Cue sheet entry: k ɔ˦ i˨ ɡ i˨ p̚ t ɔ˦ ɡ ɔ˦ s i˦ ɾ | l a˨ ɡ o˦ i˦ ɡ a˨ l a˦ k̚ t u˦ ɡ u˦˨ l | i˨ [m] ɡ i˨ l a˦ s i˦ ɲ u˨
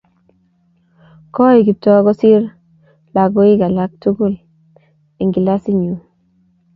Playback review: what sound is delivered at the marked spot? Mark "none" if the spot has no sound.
ŋ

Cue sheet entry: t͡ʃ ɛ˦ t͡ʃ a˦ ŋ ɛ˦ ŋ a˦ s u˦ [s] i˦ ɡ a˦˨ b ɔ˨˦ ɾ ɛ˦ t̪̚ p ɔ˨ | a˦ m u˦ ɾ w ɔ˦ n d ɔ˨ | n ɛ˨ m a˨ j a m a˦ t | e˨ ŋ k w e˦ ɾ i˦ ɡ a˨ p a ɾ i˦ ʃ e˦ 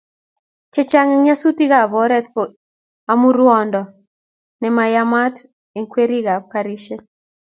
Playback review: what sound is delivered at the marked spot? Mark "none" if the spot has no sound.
t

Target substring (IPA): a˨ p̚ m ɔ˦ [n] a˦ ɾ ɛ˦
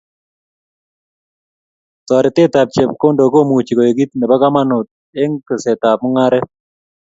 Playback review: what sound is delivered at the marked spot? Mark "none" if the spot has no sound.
ŋ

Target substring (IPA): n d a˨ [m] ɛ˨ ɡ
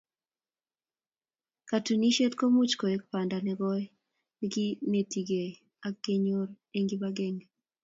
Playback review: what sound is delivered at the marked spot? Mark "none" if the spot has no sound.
n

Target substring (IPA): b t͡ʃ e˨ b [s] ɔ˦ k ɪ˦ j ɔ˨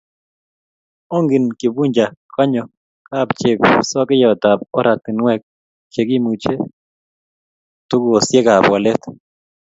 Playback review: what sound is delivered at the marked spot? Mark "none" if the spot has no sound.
s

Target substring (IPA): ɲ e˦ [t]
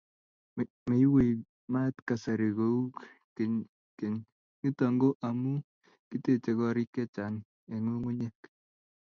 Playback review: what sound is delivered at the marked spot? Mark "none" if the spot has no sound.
k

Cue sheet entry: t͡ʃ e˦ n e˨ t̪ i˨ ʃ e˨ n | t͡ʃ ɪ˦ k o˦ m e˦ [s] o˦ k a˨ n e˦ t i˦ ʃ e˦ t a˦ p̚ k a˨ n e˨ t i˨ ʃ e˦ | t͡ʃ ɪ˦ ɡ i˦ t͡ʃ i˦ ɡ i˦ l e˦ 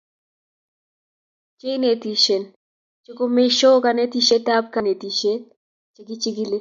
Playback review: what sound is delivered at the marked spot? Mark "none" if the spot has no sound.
ʃ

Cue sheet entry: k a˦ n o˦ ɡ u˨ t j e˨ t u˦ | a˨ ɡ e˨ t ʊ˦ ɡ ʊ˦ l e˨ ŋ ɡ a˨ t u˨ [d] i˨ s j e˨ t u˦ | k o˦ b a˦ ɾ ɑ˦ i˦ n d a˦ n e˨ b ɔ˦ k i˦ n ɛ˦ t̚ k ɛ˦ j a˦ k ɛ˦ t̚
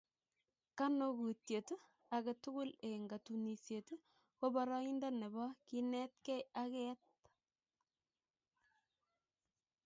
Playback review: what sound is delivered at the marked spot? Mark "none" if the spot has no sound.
n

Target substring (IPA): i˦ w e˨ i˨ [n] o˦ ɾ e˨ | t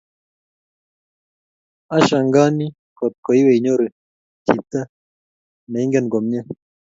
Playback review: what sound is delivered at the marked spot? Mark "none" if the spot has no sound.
ɲ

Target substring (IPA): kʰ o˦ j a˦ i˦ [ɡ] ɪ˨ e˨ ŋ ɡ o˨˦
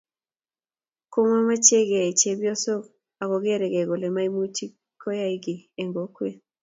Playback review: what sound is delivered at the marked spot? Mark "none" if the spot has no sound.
ɡ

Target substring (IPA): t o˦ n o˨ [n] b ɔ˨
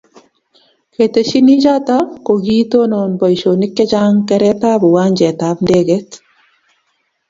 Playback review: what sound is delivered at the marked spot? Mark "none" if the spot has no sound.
n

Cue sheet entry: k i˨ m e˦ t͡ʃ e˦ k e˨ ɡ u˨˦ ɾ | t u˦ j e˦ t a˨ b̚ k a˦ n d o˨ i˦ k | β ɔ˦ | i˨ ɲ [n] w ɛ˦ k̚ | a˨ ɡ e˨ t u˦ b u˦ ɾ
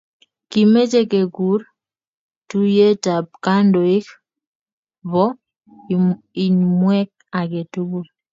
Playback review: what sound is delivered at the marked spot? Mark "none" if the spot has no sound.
m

